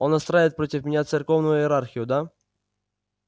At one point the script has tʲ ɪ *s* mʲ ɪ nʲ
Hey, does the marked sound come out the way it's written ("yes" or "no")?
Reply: no